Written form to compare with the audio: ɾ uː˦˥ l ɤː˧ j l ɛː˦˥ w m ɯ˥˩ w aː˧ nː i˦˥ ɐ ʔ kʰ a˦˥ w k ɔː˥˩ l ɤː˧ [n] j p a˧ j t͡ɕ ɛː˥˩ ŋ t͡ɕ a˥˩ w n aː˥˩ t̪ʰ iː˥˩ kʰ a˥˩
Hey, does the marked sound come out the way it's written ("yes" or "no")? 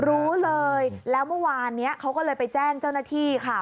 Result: no